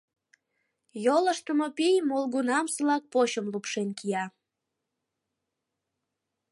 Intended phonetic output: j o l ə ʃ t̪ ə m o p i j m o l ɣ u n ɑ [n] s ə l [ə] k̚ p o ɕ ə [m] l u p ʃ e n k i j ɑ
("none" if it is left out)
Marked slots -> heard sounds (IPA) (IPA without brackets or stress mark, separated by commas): m, ɑ, m